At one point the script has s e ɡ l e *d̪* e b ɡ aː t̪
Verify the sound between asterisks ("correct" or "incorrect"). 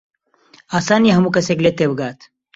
incorrect